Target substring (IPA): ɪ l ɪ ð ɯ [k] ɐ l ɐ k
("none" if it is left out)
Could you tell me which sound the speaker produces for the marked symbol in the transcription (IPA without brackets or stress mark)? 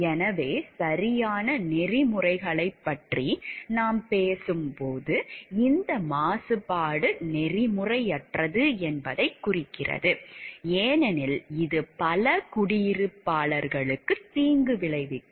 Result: p